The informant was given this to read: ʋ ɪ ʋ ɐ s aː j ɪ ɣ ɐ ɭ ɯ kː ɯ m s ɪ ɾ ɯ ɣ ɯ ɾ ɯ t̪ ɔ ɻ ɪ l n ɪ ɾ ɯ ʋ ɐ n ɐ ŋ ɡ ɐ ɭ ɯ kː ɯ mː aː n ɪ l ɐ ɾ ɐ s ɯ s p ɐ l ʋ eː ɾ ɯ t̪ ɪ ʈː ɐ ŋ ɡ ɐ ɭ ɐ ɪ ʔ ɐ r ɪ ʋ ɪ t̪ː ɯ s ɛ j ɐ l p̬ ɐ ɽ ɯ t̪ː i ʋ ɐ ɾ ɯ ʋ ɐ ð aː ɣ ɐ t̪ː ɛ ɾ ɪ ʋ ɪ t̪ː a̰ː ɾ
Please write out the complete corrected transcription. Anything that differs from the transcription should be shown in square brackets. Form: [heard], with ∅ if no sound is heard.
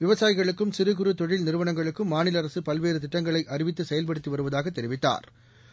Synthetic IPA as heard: ʋ ɪ ʋ ɐ s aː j ɪ ɣ ɐ ɭ ɯ kː ɯ m s ɪ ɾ ɯ ɣ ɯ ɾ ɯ t̪ ɔ ɻ ɪ l n ɪ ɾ ɯ ʋ ɐ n ɐ ŋ ɡ ɐ ɭ ɯ kː ɯ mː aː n ɪ l ɐ ɾ ɐ s ɯ [∅] p ɐ l ʋ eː ɾ ɯ t̪ ɪ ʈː ɐ ŋ ɡ ɐ ɭ ɐ ɪ ʔ ɐ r ɪ ʋ ɪ t̪ː ɯ s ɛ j ɐ l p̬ ɐ ɽ ɯ t̪ː i ʋ ɐ ɾ ɯ ʋ ɐ ð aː ɣ ɐ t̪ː ɛ ɾ ɪ ʋ ɪ t̪ː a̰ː ɾ